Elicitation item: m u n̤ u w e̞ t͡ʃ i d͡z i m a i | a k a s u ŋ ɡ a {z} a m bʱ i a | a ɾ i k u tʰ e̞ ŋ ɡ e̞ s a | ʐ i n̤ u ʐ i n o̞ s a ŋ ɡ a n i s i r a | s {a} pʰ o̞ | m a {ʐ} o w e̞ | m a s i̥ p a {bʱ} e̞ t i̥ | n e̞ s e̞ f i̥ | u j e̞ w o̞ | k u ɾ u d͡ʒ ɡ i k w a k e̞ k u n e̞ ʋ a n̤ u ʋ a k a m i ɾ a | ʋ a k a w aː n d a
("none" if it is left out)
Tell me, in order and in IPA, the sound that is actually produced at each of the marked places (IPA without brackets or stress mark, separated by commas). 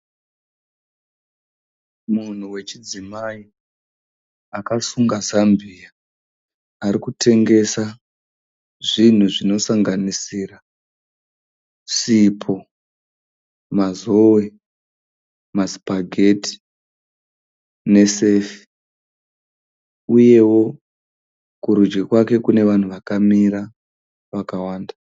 z, i, z, ɡʱ